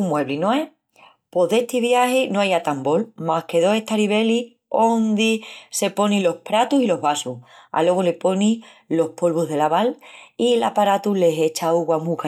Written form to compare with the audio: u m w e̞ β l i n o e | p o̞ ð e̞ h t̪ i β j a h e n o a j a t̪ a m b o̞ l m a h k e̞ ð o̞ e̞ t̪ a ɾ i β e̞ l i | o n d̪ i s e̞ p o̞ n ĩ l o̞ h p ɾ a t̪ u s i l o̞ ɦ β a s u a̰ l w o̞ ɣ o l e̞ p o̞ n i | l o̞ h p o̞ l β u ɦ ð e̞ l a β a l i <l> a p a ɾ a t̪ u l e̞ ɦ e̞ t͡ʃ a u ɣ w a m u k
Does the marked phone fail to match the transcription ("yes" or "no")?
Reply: no